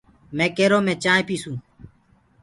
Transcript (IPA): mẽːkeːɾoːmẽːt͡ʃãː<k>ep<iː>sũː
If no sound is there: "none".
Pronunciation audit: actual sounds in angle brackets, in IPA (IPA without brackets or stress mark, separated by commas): none, iː